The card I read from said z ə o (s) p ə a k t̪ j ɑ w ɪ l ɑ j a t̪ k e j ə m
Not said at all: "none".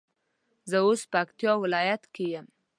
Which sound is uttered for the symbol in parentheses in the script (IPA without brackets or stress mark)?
s